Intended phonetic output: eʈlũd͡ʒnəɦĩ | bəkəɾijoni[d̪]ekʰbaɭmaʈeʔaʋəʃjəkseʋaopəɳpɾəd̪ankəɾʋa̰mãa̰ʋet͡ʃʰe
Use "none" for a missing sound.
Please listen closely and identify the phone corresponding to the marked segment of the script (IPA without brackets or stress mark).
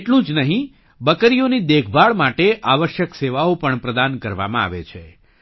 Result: d̪